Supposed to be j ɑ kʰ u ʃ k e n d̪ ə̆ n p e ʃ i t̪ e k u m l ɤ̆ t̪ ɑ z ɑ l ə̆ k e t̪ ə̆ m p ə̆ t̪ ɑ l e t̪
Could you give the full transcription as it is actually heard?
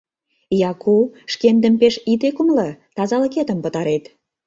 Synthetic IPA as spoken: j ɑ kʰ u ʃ k e n d̪ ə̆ m p e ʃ i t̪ e k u m l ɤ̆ t̪ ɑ z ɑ l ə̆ k e t̪ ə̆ m p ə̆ t̪ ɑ ɾ e t̪